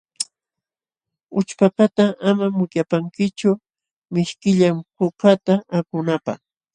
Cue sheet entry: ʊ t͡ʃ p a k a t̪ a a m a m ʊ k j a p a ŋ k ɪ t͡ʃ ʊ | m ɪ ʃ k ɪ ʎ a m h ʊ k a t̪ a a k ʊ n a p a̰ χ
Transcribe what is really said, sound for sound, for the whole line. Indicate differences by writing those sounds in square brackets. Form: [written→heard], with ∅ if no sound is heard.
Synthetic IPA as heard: ʊ t͡ʃ p a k a t̪ a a m a m ʊ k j a p a ŋ k ɪ t͡ʃ ʊ | m ɪ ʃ k ɪ ʎ a m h ʊ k a t̪ a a k ʊ n a p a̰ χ